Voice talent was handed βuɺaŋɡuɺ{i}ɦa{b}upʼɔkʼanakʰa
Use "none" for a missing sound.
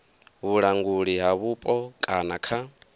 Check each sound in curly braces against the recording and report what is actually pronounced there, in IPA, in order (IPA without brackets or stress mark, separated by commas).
i, β